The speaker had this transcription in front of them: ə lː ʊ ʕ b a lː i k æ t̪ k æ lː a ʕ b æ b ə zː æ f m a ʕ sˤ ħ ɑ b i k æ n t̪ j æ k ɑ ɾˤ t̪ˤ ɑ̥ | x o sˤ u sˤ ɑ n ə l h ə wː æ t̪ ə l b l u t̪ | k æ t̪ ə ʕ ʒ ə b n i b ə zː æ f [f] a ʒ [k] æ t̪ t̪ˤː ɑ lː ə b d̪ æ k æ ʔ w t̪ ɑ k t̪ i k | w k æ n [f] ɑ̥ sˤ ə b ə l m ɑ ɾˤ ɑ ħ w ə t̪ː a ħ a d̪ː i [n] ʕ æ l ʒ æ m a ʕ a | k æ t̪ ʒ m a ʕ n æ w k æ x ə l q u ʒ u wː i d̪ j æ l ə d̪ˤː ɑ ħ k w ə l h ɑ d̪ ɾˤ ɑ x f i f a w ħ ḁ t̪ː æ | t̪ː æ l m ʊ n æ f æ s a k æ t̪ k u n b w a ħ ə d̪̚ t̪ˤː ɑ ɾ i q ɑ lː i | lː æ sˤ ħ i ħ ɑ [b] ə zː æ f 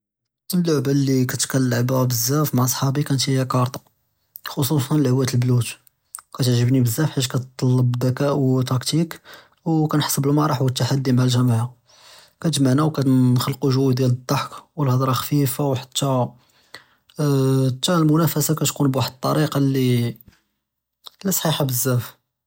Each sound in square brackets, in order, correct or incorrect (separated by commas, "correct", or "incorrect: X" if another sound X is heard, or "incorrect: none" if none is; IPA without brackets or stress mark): incorrect: ħ, correct, incorrect: ħ, incorrect: m, correct